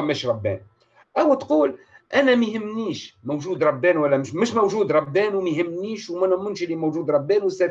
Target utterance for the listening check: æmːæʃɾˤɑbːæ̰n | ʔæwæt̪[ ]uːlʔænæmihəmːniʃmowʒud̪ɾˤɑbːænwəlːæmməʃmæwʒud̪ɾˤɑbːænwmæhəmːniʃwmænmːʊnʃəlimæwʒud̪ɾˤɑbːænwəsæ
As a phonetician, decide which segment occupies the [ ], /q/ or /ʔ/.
q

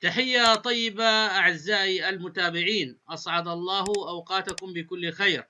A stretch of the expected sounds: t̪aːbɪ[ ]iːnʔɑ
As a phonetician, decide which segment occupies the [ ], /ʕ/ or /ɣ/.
ʕ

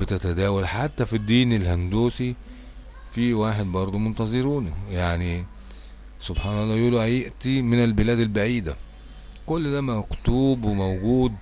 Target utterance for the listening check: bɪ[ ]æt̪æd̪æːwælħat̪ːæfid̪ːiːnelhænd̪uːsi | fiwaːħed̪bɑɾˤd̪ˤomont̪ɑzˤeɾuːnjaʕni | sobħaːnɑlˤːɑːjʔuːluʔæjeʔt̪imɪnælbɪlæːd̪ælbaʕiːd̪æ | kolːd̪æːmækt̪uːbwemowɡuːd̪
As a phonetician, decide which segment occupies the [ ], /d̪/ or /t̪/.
t̪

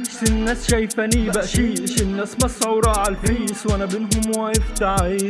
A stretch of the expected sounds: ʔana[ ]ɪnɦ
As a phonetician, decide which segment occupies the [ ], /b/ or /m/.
b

